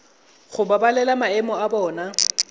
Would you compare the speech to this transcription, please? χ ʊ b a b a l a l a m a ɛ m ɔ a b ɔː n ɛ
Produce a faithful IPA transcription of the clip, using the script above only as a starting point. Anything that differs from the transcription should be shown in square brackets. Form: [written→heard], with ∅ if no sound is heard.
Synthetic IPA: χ ʊ b a b a l [a→ɛ] l a m a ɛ m ɔ a b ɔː n [ɛ→a]